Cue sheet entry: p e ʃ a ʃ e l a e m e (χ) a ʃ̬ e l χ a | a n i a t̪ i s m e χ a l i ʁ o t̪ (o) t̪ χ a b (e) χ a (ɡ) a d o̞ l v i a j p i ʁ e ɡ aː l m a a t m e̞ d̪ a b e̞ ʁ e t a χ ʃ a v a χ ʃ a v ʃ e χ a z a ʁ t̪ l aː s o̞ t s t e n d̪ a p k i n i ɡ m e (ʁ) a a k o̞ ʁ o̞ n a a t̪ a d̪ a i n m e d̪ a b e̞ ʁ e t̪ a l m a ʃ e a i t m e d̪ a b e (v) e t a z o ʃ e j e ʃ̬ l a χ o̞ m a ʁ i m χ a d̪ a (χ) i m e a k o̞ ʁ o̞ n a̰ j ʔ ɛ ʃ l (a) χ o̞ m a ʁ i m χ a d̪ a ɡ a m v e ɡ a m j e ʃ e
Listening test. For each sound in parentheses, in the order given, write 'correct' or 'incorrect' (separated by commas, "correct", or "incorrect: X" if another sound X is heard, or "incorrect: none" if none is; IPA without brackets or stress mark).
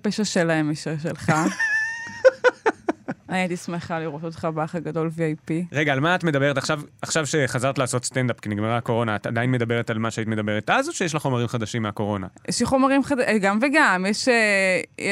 incorrect: ʃ, correct, incorrect: a, correct, correct, incorrect: ʁ, incorrect: ʃ, incorrect: i